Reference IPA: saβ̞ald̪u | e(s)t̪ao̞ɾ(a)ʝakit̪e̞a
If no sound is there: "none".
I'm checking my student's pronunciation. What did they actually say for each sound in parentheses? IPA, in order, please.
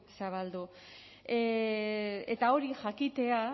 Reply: none, i

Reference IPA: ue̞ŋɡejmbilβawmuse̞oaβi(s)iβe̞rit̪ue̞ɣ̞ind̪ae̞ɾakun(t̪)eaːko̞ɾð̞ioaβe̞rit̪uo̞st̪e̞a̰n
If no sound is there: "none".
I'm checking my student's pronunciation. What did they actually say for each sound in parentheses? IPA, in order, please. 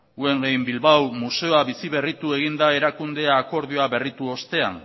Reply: s, d̪

